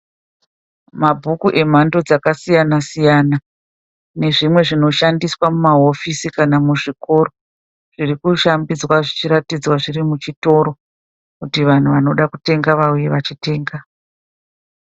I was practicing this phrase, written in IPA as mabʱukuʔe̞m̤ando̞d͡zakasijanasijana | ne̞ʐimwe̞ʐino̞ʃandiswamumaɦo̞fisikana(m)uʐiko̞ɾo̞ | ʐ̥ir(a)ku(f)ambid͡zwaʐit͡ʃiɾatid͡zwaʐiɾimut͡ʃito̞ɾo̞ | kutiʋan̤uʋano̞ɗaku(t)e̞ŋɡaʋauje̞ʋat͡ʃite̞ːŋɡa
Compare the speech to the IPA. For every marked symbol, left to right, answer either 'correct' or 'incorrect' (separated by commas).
correct, incorrect, incorrect, correct